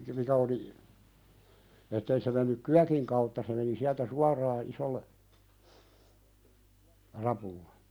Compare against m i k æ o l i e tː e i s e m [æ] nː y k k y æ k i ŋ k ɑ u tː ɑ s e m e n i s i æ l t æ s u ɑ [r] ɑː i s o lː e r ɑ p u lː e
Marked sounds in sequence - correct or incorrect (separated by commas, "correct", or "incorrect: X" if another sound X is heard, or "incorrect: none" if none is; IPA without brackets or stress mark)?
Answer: incorrect: e, correct